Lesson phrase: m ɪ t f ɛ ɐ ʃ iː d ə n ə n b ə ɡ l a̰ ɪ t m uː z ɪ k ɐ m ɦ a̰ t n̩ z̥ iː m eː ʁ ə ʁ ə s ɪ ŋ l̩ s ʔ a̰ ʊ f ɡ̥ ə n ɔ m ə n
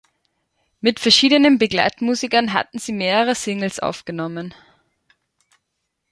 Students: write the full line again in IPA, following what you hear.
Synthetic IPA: m ɪ t f ɛ ɐ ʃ iː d ə n ə n b ə ɡ l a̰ ɪ t m uː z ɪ k ɐ n ɦ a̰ t n̩ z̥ iː m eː ʁ ə ʁ ə s ɪ ŋ l̩ s ʔ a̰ ʊ f ɡ̥ ə n ɔ m ə n